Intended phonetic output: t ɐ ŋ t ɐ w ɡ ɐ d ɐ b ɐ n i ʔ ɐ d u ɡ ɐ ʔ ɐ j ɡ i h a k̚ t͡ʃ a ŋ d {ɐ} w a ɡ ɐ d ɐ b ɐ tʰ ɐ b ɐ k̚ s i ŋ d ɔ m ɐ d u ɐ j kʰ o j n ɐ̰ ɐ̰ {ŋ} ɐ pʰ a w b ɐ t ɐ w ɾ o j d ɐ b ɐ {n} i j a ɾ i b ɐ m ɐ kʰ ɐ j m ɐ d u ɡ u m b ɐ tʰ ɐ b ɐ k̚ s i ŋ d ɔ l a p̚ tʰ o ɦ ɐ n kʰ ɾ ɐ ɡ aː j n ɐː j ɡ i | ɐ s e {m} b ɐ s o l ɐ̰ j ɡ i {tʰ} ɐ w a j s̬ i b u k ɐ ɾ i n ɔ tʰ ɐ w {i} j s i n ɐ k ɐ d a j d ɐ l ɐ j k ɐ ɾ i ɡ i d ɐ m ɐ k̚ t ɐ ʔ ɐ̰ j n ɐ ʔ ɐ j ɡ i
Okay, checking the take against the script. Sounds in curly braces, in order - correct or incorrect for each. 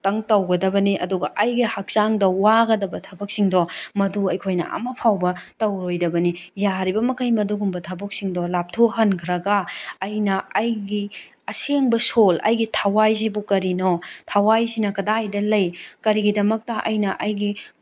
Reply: correct, incorrect: m, correct, incorrect: ŋ, correct, incorrect: a

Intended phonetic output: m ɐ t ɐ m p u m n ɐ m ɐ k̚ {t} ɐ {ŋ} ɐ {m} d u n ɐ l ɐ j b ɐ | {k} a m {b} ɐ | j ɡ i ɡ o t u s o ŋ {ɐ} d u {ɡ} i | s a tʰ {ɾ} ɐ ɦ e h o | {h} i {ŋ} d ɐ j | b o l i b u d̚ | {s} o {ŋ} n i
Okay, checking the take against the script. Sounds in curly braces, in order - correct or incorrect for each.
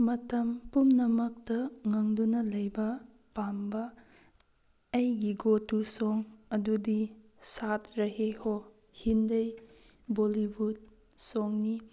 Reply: correct, correct, incorrect: ŋ, incorrect: p, correct, correct, incorrect: d, correct, correct, incorrect: n, correct, correct

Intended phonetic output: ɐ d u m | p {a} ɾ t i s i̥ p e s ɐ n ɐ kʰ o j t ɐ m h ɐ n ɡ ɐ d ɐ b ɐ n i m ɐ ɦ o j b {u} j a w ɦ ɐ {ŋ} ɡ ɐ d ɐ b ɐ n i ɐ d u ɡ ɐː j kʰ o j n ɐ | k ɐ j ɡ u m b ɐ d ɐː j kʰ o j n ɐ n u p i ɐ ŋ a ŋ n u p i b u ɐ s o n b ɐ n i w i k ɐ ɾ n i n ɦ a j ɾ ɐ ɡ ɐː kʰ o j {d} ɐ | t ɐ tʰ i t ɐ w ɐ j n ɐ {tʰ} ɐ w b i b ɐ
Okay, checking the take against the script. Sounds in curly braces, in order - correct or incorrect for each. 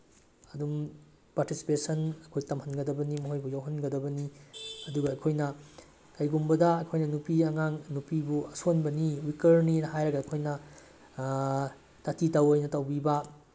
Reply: correct, correct, incorrect: n, incorrect: n, incorrect: t

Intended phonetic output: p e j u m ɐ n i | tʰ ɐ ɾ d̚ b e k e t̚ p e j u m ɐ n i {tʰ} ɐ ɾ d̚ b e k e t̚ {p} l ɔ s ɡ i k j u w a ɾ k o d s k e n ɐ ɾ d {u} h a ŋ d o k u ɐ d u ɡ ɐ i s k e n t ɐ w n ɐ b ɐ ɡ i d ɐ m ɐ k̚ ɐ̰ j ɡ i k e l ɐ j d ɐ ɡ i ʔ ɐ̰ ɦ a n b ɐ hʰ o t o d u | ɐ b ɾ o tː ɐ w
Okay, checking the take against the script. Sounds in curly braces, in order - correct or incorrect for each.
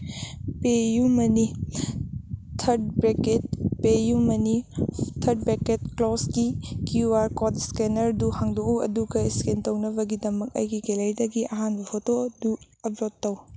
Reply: correct, incorrect: k, correct

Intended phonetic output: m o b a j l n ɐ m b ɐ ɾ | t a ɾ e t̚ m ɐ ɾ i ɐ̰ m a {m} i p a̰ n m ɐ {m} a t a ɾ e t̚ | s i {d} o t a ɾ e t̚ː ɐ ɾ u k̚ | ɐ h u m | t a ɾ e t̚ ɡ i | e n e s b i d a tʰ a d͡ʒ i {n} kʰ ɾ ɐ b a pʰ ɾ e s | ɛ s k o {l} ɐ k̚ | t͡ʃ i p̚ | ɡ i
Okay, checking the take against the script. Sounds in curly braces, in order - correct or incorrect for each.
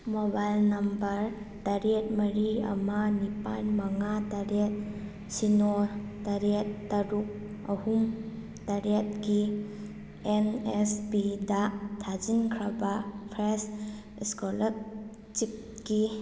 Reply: incorrect: n, incorrect: ŋ, incorrect: n, correct, correct

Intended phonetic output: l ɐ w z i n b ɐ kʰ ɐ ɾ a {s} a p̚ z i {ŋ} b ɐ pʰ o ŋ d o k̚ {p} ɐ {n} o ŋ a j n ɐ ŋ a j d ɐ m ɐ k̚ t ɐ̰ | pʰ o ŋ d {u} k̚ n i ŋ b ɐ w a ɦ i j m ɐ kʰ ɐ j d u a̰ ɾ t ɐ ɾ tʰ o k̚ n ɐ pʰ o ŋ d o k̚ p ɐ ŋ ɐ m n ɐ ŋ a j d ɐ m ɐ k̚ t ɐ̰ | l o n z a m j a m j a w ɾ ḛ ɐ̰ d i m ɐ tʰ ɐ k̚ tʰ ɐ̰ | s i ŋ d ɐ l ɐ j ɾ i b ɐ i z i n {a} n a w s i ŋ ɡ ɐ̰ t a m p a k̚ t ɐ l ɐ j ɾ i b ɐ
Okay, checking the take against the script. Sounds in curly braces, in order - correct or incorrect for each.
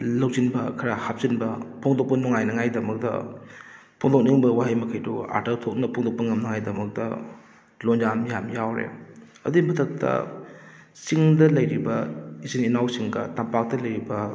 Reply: incorrect: h, incorrect: n, correct, correct, incorrect: o, incorrect: i

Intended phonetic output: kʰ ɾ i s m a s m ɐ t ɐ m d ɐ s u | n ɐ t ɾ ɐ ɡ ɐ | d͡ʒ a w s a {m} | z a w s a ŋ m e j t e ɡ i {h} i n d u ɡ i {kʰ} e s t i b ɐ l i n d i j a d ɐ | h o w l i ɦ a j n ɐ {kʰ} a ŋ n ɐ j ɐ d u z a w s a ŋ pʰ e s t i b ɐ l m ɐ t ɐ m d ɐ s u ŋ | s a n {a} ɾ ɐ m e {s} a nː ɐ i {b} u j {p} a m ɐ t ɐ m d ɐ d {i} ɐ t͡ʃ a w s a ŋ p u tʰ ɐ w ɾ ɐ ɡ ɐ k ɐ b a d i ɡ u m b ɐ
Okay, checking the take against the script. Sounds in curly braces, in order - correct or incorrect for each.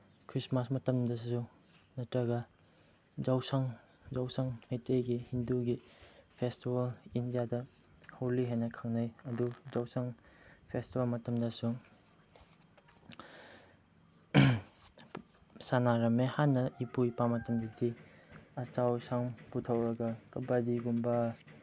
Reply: incorrect: ŋ, correct, incorrect: pʰ, correct, correct, incorrect: h, incorrect: p, correct, correct

